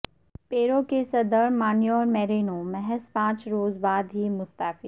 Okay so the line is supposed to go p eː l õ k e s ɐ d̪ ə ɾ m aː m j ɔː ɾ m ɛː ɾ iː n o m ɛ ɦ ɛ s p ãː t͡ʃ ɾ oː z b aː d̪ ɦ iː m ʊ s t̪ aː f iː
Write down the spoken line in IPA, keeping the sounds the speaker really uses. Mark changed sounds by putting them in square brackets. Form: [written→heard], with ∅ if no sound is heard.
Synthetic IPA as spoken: p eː [l→ɾ] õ k e s ɐ d̪ ə ɾ m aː [m→n] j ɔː ɾ m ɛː ɾ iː n o m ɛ ɦ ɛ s p ãː t͡ʃ ɾ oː z b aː d̪ ɦ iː m ʊ s t̪ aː f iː

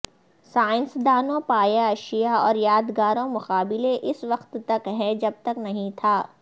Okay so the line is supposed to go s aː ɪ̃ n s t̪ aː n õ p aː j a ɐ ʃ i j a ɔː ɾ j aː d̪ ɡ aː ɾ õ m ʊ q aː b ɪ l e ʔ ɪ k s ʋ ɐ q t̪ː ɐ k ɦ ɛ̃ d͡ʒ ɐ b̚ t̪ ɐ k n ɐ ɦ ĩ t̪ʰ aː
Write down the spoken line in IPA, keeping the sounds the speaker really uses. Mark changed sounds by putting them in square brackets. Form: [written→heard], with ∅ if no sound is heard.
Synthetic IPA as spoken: s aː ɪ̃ n s [t̪→d̪] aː n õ p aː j a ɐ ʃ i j a ɔː ɾ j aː d̪ ɡ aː ɾ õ m ʊ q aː b ɪ l e ʔ ɪ [k→∅] s ʋ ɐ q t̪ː ɐ k ɦ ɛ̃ d͡ʒ ɐ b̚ t̪ ɐ k n ɐ ɦ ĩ t̪ʰ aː

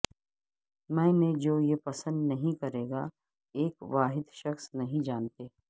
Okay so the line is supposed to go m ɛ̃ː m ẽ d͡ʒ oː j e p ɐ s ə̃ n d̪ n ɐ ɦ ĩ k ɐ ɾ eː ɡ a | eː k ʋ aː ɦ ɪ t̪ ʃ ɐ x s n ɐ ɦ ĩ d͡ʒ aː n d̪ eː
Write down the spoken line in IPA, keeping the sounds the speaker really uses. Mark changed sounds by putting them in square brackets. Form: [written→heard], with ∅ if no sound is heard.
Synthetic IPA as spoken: m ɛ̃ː m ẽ d͡ʒ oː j e p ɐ s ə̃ n d̪ n ɐ ɦ ĩ k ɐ ɾ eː ɡ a | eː k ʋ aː ɦ ɪ [t̪→d̪] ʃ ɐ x s n ɐ ɦ ĩ d͡ʒ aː n [d̪→t̪] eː

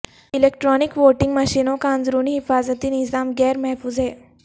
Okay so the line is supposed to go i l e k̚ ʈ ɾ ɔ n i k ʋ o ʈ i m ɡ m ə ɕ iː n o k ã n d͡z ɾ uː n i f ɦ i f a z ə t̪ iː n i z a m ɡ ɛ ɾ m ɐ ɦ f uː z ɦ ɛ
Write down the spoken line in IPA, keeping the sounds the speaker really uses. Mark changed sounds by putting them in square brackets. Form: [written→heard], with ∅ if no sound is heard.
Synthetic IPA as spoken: i l e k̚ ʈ ɾ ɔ n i k ʋ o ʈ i [m→ŋ] ɡ m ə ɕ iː n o k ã n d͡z ɾ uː n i [f→∅] ɦ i f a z ə t̪ iː n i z a m ɡ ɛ ɾ m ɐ ɦ f uː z ɦ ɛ

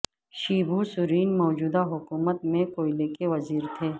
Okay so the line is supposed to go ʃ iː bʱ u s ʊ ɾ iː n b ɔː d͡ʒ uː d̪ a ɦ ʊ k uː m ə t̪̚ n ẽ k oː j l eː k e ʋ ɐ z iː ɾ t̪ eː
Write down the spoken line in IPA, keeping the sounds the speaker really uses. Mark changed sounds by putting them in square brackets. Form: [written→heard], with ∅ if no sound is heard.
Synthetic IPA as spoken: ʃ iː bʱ u s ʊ ɾ iː n [b→m] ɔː d͡ʒ uː d̪ a ɦ ʊ k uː m ə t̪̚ [n→m] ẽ k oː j l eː k e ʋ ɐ z iː ɾ [t̪→t̪ʰ] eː

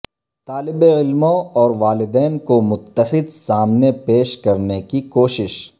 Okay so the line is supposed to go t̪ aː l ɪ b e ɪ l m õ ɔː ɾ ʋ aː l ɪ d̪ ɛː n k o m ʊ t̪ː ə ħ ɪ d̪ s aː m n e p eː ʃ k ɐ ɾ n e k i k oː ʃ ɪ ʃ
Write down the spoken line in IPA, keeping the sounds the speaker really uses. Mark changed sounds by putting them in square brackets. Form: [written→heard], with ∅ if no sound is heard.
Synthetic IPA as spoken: t̪ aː l ɪ b e ɪ l m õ ɔː ɾ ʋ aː l ɪ d̪ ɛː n k o m ʊ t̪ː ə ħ ɪ d̪ s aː m n e p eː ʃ k ɐ ɾ n e k i k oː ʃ ɪ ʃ

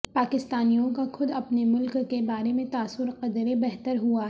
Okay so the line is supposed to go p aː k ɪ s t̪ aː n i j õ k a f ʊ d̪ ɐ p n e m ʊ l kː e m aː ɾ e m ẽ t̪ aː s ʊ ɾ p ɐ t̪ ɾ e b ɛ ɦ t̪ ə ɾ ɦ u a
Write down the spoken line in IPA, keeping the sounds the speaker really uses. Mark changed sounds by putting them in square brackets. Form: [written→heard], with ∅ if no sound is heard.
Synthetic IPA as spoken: p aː k ɪ s t̪ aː n i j õ k a [f→x] ʊ d̪ ɐ p n e m ʊ l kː e [m→b] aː ɾ e m ẽ t̪ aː s ʊ ɾ [p→q] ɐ [t̪→d̪] ɾ e b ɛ ɦ t̪ ə ɾ ɦ u a

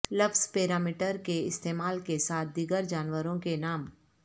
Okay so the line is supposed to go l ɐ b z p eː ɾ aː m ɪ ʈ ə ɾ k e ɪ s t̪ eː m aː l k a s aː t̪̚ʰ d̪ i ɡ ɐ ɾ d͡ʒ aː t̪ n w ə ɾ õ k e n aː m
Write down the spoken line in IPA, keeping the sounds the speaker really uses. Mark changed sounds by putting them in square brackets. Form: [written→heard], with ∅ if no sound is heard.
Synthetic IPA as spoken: l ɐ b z p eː ɾ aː m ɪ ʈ ə ɾ k e ɪ s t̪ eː m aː l k [a→e] s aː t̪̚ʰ d̪ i ɡ [ɐ→ə] ɾ d͡ʒ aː [t̪→∅] n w ə ɾ õ k e n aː m

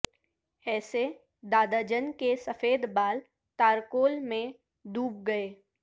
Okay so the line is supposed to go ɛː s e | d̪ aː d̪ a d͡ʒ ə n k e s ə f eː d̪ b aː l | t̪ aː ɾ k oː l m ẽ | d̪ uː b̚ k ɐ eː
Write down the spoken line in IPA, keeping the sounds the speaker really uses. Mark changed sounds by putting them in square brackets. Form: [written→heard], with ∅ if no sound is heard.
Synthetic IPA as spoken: ɛː s e | d̪ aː d̪ a d͡ʒ ə n k e s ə f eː d̪ b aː l | t̪ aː ɾ k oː l m ẽ | d̪ uː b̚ [k→ɡ] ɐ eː

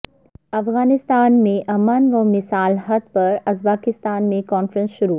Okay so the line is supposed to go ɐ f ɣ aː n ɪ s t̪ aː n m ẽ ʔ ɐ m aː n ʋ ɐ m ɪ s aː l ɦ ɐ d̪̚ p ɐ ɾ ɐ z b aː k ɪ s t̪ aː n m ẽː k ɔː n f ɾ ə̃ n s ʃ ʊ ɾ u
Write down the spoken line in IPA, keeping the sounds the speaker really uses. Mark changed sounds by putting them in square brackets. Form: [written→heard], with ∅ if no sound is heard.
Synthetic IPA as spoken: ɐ f ɣ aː n ɪ s t̪ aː n m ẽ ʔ ɐ m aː n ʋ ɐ m ɪ s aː l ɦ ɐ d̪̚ p ɐ ɾ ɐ z b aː k ɪ s t̪ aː n m [ẽː→ẽ] k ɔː n f ɾ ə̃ n s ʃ ʊ ɾ u

